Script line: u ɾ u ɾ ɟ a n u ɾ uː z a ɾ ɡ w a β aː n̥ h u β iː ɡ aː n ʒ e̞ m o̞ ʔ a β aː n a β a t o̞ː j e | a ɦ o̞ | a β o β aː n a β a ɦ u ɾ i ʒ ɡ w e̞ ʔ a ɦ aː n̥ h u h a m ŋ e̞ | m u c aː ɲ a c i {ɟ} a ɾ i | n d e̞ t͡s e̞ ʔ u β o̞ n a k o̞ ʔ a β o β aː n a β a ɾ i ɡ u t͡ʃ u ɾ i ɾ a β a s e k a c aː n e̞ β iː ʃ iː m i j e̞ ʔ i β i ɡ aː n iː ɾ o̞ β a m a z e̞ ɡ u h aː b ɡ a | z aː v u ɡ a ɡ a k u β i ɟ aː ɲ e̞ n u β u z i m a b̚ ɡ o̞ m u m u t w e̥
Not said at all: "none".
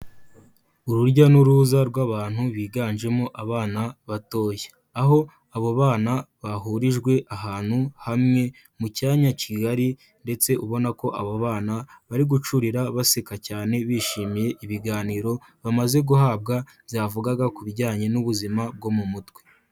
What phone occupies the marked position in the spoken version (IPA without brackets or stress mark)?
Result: ɡ